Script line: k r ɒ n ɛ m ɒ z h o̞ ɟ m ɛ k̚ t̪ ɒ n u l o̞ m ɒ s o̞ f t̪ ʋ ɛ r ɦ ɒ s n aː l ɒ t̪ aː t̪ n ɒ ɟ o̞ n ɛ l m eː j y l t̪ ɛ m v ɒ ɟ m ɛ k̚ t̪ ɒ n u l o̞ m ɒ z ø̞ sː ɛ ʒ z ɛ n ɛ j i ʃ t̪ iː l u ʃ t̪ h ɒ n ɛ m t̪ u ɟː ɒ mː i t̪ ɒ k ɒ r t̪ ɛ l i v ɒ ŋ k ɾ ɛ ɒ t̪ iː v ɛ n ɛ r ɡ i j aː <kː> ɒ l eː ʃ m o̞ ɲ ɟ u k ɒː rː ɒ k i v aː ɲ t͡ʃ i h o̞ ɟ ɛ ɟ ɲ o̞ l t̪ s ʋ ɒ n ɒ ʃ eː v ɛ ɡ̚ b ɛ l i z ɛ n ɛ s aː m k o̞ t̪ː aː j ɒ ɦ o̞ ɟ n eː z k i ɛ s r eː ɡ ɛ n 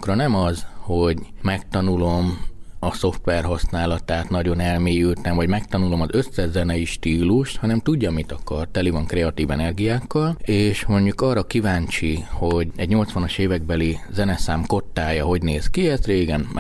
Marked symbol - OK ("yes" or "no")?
yes